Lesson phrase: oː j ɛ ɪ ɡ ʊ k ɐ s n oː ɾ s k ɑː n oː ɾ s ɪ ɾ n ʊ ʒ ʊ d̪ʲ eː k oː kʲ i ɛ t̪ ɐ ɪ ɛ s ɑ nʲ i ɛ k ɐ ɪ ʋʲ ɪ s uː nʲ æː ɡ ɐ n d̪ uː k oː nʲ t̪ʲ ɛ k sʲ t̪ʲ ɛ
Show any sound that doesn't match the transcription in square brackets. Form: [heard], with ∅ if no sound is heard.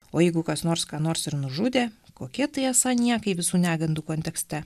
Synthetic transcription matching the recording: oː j ɛ ɪ ɡ ʊ k ɐ s n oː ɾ s k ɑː n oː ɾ s ɪ ɾ n ʊ ʒ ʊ d̪ʲ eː k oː kʲ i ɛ t̪ ɐ ɪ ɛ s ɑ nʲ i ɛ k ɐ ɪ ʋʲ ɪ s uː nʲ æː ɡ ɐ n d̪ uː k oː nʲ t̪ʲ ɛ k sʲ t̪ʲ ɛ